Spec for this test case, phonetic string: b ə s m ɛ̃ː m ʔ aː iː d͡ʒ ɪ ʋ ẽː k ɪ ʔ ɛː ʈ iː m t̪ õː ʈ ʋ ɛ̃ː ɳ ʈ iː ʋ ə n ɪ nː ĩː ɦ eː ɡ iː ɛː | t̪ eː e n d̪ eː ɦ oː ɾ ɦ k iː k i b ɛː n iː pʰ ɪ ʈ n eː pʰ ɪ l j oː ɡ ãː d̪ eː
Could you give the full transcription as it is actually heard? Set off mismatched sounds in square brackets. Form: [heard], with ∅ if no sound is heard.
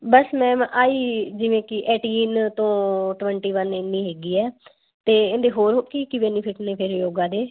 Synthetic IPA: b ə s m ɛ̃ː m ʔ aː iː d͡ʒ ɪ ʋ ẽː k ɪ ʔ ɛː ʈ iː [n] t̪ õː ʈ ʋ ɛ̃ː ɳ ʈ iː ʋ ə n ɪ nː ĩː ɦ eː ɡ iː ɛː | t̪ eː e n d̪ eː ɦ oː ɾ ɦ k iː k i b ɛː n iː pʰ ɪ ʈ n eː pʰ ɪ [ɾ] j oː ɡ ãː d̪ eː

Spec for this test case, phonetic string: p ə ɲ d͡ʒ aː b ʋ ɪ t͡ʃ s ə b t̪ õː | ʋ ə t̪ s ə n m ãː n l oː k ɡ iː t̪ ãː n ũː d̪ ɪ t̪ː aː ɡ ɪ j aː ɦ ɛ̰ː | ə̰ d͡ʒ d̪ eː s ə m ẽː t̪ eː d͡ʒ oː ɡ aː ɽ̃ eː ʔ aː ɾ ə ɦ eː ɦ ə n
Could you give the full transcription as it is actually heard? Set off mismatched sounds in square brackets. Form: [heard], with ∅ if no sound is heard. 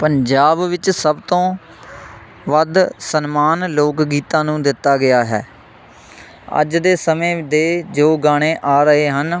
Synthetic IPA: p ə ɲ d͡ʒ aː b ʋ ɪ t͡ʃ s ə b t̪ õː | ʋ ə [d̪] s ə n m [aː] n l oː k ɡ iː t̪ ãː n ũː d̪ ɪ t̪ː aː ɡ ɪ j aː ɦ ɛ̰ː | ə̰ d͡ʒ d̪ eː s ə m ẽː [d̪] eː d͡ʒ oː ɡ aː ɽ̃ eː ʔ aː ɾ ə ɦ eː ɦ ə n

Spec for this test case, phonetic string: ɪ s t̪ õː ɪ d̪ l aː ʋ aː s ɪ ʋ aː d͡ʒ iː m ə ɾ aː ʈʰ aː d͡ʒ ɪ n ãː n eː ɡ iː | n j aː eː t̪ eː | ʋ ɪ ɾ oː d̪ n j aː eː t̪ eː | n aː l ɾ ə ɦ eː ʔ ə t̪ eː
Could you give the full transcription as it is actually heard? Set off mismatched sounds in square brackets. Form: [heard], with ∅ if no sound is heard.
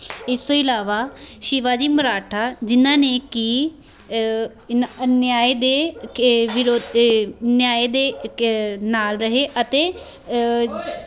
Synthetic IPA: ɪ s t̪ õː ɪ [∅] l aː ʋ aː [ʃ] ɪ ʋ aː d͡ʒ iː m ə ɾ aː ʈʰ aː d͡ʒ ɪ n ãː n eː [k] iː | n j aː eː [d̪] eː | ʋ ɪ ɾ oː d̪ n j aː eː [d̪] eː | n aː l ɾ ə ɦ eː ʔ ə t̪ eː

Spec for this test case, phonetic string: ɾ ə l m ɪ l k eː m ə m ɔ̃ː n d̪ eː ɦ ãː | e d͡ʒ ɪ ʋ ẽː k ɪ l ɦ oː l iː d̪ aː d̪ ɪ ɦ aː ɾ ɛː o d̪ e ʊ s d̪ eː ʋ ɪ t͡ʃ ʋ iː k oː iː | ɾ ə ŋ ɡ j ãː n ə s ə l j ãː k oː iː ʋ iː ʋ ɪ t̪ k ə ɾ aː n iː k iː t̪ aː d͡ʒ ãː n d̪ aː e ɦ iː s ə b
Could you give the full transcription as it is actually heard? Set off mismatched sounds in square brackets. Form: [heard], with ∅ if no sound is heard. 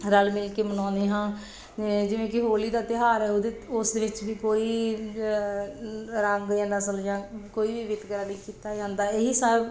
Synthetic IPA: ɾ ə l m ɪ l k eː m ə [n] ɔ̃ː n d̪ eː ɦ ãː | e d͡ʒ ɪ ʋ ẽː k ɪ [∅] ɦ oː l iː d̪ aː [t̪] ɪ ɦ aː ɾ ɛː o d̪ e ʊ s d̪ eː ʋ ɪ t͡ʃ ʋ iː k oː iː | ɾ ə ŋ ɡ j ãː n ə s ə l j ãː k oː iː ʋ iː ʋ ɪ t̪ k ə ɾ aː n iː k iː t̪ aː d͡ʒ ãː n d̪ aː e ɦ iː s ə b

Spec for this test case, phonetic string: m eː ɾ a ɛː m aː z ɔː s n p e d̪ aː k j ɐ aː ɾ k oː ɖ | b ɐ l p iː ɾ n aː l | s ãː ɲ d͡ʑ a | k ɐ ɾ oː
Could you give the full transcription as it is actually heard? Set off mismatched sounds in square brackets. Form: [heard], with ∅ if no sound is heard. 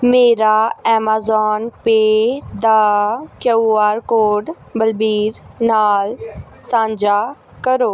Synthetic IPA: m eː ɾ a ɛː m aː z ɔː [∅] n p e d̪ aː k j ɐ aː ɾ k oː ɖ | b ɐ l [b] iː ɾ n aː l | s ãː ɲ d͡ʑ a | k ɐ ɾ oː

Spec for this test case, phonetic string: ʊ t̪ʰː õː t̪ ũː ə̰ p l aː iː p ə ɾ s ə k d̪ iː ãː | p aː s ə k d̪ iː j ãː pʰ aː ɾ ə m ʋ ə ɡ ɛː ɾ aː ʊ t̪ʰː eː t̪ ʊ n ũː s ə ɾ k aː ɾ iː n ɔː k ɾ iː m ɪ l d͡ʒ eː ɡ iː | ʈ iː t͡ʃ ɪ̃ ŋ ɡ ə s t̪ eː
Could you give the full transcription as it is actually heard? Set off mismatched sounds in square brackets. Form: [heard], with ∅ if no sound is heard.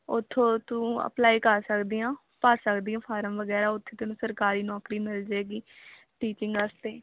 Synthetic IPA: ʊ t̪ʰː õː t̪ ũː ə̰ p l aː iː [k] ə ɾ s ə k d̪ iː ãː | p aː s ə k d̪ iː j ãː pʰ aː ɾ ə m ʋ ə ɡ ɛː ɾ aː ʊ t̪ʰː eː t̪ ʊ n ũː s ə ɾ k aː ɾ iː n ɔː k ɾ iː m ɪ l d͡ʒ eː ɡ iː | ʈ iː t͡ʃ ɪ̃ ŋ ɡ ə s t̪ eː

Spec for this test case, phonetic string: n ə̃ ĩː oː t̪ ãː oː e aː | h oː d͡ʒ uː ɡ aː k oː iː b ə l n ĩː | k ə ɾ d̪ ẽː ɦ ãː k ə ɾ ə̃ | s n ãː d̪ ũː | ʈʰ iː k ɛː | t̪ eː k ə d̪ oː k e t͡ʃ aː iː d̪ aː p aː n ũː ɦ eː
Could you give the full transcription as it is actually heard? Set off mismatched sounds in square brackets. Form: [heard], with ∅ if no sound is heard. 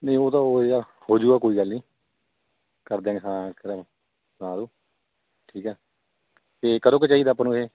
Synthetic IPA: n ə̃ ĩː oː t̪ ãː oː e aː | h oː d͡ʒ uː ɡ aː k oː iː [ɡ] ə l n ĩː | k ə ɾ d̪ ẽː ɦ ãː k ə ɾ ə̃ | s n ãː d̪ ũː | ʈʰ iː k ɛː | t̪ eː k ə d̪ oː k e t͡ʃ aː iː d̪ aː p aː n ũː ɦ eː

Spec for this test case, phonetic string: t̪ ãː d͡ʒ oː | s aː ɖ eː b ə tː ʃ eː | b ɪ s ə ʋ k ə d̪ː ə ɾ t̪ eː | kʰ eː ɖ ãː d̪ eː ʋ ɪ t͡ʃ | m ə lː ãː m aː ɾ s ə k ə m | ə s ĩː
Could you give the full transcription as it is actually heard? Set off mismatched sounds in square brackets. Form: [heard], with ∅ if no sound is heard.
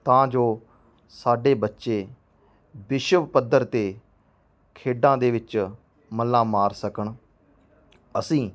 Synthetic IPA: t̪ ãː d͡ʒ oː | s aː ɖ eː b ə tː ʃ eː | b ɪ [ʃ] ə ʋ [p] ə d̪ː ə ɾ t̪ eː | kʰ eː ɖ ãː d̪ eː ʋ ɪ t͡ʃ | m ə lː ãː m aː ɾ s ə k ə [ɳ] | ə s ĩː

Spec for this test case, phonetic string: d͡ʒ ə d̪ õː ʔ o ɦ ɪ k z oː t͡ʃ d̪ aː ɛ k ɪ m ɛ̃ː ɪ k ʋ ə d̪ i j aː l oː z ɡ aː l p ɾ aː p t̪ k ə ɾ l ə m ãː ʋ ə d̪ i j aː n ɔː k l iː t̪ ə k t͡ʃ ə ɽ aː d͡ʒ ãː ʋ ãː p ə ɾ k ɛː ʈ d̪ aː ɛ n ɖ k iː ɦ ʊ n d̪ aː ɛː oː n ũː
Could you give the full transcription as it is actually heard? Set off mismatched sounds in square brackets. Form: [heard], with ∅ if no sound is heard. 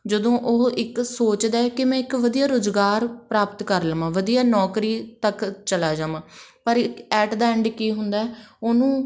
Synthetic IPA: d͡ʒ ə d̪ õː ʔ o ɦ ɪ k [s] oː t͡ʃ d̪ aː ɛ k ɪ m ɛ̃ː ɪ k ʋ ə d̪ i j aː [ɾ] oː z ɡ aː [ɾ] p ɾ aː p t̪ k ə ɾ l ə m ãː ʋ ə d̪ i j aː n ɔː k [ɾ] iː t̪ ə k t͡ʃ ə [l] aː d͡ʒ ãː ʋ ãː p ə ɾ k ɛː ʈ d̪ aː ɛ [ɳ] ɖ k iː ɦ ʊ n d̪ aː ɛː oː n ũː

